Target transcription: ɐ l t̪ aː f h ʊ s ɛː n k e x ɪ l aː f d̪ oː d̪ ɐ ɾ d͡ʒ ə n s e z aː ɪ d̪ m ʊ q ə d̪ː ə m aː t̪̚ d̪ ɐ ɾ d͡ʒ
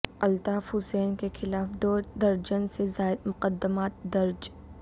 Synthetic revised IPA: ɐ l t̪ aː f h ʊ s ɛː n k e x ɪ l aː f d̪ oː d̪ ɐ ɾ d͡ʒ ə n s e z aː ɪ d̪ m ʊ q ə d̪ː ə m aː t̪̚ d̪ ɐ ɾ d͡ʒ